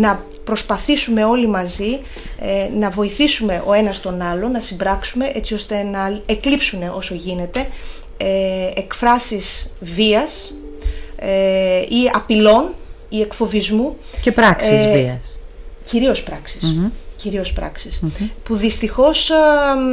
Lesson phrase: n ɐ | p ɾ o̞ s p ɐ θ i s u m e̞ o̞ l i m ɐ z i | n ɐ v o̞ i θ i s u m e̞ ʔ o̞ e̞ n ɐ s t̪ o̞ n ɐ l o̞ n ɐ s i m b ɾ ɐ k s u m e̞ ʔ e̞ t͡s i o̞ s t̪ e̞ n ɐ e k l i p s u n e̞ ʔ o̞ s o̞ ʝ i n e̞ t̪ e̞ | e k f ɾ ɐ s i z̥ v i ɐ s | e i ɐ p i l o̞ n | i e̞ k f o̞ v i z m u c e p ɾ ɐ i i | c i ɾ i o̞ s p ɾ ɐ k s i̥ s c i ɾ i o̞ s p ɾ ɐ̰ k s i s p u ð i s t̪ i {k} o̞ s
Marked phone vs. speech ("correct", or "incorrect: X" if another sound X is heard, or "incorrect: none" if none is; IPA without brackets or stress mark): incorrect: x